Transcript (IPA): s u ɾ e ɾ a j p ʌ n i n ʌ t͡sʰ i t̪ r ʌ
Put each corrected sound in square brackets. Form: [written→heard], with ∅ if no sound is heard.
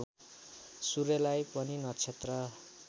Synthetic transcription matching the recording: s u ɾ e [ɾ→l] a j p ʌ n i n ʌ t͡sʰ [i→e] t̪ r ʌ

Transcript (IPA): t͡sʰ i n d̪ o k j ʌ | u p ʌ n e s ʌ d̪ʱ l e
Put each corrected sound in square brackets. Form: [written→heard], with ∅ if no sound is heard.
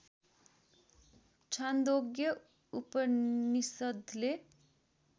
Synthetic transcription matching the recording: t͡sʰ [i→a] n d̪ o [k→ɡ] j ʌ | u p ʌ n [e→i] s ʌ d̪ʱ l e

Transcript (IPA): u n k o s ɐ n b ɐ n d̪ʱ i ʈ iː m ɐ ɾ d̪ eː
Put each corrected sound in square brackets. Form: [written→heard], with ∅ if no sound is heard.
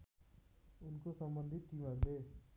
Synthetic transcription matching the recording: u n k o s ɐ [n→m] b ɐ n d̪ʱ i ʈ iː m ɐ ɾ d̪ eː

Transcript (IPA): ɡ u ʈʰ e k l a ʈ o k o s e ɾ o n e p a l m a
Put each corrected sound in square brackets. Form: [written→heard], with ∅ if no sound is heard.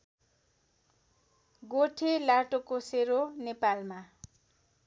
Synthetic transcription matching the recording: ɡ [u→o] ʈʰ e [k→∅] l a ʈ o k o s e ɾ o n e p a l m a

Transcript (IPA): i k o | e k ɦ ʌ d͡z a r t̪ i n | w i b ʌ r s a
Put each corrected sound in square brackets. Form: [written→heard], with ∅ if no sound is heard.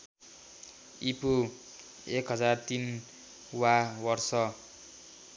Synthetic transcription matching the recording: i [k→p] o | e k ɦ ʌ d͡z a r t̪ i n | w [i→a] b ʌ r s [a→ʌ]

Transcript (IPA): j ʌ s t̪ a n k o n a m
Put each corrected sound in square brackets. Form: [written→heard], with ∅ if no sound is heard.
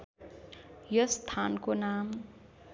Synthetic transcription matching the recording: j ʌ s [t̪→t̪ʰ] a n k o n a m

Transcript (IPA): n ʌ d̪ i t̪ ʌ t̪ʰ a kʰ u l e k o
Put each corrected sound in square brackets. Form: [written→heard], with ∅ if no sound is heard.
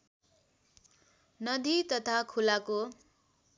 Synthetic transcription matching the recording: n ʌ d̪ i t̪ ʌ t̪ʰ a kʰ u l [e→a] k o

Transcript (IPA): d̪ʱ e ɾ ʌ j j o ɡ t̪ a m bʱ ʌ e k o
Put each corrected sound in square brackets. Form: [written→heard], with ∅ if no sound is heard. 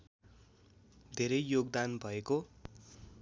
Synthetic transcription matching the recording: d̪ʱ e ɾ ʌ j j o ɡ [t̪→d̪] a [m→n] bʱ ʌ e k o

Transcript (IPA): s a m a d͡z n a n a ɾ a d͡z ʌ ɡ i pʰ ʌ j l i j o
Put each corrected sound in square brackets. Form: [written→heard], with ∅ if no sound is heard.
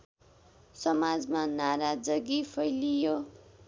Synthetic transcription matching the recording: s [a→ʌ] m a d͡z [n→m] a n a ɾ a d͡z ʌ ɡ i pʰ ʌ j l i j o

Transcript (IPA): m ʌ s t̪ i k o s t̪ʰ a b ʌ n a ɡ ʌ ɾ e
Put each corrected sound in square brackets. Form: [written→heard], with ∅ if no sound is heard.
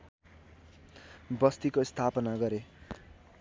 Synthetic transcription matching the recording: [m→b] ʌ s t̪ i k o s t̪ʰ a [b→p] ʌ n a ɡ ʌ ɾ e

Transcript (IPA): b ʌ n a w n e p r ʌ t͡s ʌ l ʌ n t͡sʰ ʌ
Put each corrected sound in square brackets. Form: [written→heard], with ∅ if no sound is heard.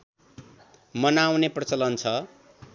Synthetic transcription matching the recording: [b→m] ʌ n a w n e p r ʌ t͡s ʌ l ʌ n t͡sʰ ʌ

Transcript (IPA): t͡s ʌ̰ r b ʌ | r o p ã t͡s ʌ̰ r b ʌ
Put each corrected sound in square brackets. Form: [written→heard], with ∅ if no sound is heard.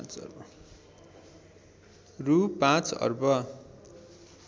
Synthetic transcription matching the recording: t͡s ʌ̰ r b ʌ | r [o→u] p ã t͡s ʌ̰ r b ʌ

